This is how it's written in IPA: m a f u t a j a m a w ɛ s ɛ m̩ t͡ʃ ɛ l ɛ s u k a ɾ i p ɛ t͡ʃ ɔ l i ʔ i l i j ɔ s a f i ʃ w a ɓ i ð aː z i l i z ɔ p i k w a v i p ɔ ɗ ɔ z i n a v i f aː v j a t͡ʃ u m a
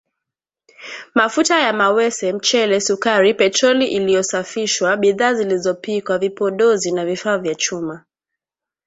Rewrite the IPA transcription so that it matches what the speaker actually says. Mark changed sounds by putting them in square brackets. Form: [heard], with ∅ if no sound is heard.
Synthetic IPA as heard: m a f u t a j a m a w ɛ s ɛ m̩ t͡ʃ ɛ l ɛ s u k a ɾ i p ɛ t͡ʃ ɔ l i ʔ i l i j ɔ s a f i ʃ w a ɓ i ð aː z i l i z ɔ p i k w a v i p ɔ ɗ ɔ z i n a v i f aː v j a t͡ʃ u m a